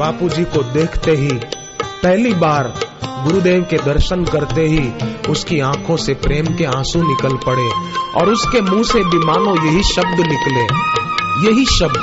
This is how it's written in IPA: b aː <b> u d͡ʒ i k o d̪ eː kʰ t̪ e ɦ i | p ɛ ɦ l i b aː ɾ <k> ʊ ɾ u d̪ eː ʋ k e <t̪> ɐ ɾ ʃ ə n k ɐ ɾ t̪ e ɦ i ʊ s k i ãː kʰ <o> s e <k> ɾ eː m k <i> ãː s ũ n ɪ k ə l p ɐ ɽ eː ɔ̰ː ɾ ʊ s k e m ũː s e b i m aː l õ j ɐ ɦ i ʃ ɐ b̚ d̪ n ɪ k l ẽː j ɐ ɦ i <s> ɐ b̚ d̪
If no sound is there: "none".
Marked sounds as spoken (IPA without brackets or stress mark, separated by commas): p, ɡ, d̪, õ, p, e, ʃ